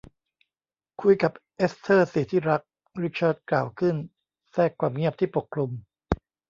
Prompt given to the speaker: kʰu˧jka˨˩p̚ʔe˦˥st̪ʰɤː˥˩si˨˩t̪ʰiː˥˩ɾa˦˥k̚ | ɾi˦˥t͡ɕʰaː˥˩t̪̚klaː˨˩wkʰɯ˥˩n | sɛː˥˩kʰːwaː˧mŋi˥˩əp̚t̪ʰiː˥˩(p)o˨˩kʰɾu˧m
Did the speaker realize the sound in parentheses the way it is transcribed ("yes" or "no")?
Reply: yes